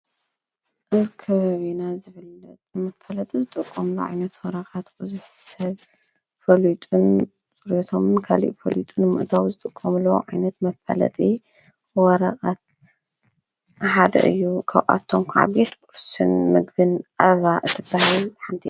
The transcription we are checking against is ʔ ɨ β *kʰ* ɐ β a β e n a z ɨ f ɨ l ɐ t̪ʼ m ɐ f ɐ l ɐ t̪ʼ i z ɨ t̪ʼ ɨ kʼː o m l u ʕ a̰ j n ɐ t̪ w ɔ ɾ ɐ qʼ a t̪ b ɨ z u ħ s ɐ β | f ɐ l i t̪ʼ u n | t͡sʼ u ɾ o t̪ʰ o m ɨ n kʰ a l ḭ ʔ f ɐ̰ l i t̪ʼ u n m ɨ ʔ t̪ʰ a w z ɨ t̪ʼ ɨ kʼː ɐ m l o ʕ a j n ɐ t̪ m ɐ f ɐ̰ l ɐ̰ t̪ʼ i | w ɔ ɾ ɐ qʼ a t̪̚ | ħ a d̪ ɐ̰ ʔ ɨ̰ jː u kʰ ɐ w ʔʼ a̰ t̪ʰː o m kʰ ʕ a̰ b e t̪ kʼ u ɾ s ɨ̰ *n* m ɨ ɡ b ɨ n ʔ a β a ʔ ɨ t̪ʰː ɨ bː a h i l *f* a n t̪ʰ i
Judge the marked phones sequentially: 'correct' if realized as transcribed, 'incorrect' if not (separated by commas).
correct, correct, incorrect